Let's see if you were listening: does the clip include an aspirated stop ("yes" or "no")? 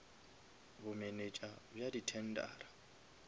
yes